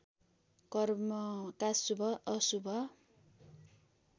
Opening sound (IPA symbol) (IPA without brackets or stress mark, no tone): k